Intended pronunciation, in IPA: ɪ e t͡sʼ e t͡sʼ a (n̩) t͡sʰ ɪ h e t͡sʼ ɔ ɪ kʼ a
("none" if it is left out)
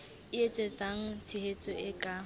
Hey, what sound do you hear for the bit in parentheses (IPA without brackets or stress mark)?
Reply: ŋ̩